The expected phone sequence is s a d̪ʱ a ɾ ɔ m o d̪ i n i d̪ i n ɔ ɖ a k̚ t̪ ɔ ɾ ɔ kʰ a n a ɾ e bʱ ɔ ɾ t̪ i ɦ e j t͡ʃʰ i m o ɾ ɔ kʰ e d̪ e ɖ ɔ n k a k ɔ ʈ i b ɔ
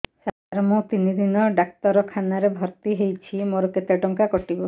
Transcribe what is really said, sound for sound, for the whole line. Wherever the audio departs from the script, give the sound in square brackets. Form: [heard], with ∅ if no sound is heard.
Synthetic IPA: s a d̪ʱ a ɾ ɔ m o [t̪] i n i d̪ i n ɔ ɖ a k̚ t̪ ɔ ɾ ɔ kʰ a n a ɾ e bʱ ɔ ɾ t̪ i ɦ e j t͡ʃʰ i m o ɾ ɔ [k] e [t̪] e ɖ ɔ [ŋ] k a k ɔ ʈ i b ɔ